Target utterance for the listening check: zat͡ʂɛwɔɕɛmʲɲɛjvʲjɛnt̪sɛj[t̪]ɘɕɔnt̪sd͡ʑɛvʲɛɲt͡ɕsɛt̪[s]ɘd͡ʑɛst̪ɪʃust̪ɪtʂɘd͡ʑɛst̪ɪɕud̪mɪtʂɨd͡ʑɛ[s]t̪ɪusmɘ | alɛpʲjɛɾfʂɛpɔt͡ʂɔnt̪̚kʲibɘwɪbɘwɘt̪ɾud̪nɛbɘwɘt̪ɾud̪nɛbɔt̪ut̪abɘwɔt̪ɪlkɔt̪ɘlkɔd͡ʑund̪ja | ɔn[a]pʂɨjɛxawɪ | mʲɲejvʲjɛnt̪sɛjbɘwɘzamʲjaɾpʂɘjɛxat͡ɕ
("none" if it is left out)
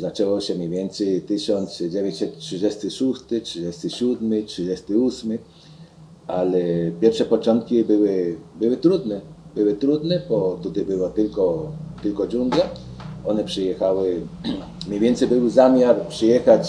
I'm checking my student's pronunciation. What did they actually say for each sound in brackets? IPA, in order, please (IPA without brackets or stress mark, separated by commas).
t̪, ʂ, s, ɛ